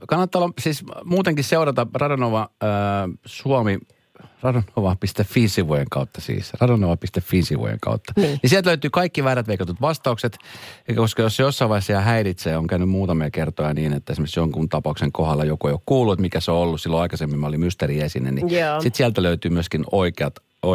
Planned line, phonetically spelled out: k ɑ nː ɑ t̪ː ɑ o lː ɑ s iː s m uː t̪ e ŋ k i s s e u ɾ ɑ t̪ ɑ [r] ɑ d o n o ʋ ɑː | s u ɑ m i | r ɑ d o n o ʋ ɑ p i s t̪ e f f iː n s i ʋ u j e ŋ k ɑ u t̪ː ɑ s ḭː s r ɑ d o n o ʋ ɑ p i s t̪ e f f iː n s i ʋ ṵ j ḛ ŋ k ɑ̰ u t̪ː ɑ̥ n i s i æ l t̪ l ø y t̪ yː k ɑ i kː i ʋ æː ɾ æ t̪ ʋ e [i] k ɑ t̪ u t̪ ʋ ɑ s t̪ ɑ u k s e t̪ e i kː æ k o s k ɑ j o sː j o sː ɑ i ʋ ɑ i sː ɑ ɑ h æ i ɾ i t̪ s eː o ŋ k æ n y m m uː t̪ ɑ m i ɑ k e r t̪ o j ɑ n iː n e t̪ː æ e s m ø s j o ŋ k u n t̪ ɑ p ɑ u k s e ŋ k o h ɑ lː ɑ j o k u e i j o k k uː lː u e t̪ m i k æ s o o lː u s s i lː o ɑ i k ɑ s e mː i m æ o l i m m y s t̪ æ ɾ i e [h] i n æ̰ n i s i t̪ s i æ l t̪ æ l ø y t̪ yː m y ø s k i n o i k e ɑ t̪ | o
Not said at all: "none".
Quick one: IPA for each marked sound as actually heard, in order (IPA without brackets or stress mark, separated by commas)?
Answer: r, i, s